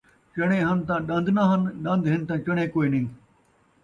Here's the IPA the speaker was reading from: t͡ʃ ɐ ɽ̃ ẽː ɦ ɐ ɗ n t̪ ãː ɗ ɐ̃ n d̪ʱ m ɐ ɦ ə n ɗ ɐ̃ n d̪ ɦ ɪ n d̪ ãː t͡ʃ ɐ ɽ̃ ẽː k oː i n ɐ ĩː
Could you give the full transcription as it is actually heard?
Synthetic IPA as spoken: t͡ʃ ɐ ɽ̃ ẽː ɦ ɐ n t̪ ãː ɗ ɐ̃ n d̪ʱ n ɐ ɦ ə n ɗ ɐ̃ n d̪ ɦ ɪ n t̪ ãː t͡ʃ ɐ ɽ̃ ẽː k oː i n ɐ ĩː

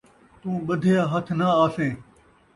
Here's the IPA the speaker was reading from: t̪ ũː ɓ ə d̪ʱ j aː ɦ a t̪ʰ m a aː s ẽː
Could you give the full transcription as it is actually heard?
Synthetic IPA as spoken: t̪ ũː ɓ ə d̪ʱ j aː ɦ ə t̪ʰ n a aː s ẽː

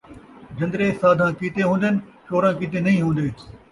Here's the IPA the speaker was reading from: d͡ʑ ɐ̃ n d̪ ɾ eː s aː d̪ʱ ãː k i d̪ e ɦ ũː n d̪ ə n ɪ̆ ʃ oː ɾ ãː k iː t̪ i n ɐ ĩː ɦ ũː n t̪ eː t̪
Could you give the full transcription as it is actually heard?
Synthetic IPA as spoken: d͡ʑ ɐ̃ n d̪ ɾ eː s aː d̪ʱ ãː k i t̪ e ɦ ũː n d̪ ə n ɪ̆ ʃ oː ɾ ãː k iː t̪ e n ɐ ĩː ɦ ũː n d̪ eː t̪

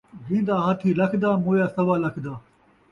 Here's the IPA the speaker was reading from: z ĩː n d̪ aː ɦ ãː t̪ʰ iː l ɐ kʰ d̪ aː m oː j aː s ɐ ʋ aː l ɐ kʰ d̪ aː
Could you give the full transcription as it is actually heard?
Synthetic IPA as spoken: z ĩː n d̪ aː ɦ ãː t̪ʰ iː l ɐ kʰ d̪ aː m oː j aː s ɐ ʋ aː l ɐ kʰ d̪ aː

